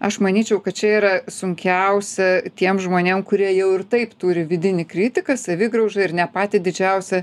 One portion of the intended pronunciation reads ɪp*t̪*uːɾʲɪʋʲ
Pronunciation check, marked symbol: correct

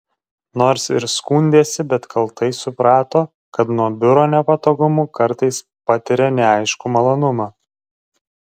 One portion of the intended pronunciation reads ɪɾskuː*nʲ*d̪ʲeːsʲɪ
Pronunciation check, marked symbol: correct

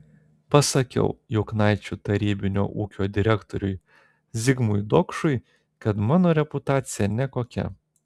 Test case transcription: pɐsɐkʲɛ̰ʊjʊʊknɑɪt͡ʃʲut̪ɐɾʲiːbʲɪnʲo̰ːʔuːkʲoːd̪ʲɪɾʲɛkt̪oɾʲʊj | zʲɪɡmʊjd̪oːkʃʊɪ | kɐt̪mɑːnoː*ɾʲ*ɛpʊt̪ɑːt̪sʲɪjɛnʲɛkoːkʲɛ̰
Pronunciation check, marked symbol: correct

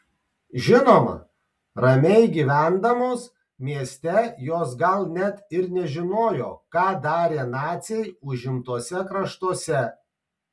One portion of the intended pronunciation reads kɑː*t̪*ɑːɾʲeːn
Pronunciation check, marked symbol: incorrect: d̪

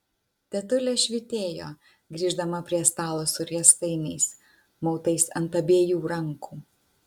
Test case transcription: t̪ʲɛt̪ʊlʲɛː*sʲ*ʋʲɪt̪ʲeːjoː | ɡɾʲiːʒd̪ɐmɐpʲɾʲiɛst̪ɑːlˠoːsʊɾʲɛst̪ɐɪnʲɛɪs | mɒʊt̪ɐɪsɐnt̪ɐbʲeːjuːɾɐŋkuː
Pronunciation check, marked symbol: incorrect: ʃʲ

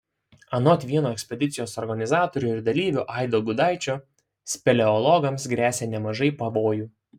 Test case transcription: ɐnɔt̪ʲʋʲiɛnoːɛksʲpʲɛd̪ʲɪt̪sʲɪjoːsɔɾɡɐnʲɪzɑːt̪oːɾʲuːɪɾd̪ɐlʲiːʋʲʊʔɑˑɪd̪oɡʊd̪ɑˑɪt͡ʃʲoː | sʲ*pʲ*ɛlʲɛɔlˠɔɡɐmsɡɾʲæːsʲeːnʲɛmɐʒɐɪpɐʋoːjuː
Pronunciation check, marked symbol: correct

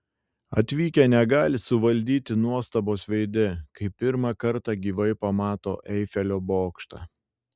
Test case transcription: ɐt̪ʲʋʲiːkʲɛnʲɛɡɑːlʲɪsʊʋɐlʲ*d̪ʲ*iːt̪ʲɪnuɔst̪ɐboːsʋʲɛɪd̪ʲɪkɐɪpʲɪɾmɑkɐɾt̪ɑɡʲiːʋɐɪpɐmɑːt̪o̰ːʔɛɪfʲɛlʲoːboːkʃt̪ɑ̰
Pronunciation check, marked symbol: correct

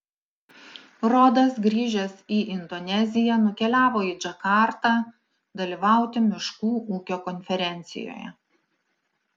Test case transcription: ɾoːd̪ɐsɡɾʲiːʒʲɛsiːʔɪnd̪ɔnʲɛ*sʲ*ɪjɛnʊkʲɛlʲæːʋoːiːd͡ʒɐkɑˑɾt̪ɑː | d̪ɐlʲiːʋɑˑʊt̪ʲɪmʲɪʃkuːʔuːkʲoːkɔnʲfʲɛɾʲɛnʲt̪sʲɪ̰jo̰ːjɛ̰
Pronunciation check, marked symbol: incorrect: zʲ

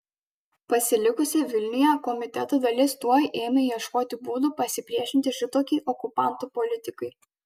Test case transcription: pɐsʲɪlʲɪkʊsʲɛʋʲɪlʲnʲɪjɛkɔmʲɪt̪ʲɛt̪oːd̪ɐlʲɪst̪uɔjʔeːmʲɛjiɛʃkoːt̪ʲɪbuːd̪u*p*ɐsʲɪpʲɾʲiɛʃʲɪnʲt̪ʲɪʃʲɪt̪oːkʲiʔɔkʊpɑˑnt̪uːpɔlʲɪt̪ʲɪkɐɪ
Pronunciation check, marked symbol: correct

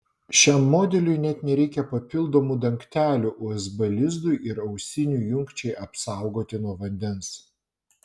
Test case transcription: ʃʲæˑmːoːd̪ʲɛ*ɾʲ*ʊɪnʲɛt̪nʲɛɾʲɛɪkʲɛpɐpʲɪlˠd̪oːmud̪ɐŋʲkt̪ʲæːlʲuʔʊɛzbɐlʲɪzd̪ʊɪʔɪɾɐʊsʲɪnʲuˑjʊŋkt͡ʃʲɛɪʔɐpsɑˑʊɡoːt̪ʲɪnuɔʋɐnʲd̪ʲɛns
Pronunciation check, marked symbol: incorrect: lʲ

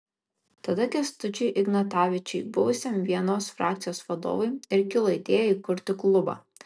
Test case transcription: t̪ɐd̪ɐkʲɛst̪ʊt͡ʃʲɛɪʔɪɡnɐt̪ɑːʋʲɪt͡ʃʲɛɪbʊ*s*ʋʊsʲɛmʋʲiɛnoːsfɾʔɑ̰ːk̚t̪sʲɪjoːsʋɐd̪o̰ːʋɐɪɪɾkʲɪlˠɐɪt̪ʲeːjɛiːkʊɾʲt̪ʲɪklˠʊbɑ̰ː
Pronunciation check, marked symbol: incorrect: none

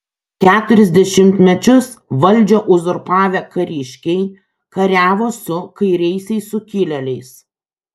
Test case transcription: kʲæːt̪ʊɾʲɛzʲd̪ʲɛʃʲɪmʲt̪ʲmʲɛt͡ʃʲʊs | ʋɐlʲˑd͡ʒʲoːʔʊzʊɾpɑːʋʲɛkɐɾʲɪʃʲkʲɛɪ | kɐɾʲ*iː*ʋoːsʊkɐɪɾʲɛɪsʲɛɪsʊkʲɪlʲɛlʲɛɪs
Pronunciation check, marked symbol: incorrect: æː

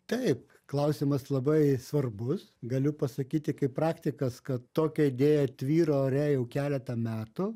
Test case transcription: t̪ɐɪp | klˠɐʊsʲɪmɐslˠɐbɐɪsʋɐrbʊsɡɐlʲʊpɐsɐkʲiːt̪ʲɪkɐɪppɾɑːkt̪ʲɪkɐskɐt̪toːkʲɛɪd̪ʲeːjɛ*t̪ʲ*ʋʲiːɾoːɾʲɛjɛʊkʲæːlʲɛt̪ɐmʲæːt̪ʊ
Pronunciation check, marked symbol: correct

